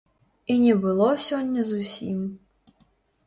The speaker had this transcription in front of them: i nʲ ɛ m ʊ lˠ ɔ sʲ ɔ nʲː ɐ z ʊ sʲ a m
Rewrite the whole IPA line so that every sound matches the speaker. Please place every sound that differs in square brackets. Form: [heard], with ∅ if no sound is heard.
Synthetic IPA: i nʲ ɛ [b] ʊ lˠ ɔ sʲ ɔ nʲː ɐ z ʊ sʲ [i] m